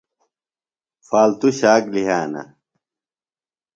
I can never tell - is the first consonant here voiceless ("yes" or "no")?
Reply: yes